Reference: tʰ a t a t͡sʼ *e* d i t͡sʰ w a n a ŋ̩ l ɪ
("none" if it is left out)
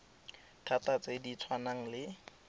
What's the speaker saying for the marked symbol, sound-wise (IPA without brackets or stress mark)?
e